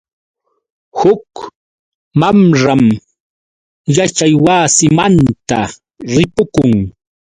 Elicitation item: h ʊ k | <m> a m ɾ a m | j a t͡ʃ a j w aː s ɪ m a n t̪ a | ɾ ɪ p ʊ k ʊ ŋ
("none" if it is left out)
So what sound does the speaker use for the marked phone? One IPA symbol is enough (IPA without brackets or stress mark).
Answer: m